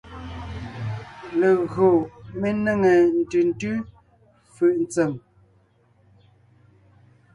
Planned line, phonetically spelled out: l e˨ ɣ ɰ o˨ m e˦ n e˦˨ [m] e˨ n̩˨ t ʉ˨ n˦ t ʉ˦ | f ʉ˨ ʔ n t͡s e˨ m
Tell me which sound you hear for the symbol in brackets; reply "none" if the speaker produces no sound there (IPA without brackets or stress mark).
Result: ŋ